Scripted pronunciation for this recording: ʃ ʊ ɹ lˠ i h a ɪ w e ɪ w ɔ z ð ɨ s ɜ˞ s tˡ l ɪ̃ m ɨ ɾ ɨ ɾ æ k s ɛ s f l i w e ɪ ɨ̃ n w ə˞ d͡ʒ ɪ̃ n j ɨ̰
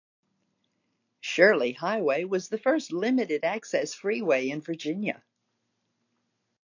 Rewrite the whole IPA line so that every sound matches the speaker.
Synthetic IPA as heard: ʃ ʊ ɹ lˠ i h a ɪ w e ɪ w ʌ z ð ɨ f ɜ˞ s tˡ l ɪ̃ m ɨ ɾ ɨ ɾ æ k s ɛ s f ɹ i w e ɪ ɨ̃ n v ə˞ d͡ʒ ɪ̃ n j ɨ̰